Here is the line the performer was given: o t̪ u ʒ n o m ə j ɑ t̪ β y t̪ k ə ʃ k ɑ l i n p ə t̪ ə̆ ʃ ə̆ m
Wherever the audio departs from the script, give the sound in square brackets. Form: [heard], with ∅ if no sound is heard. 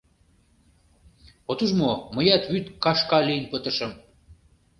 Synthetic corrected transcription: o t̪ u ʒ [m] o m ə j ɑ t̪ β y t̪ k [ɑ] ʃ k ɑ l i n p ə t̪ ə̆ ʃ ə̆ m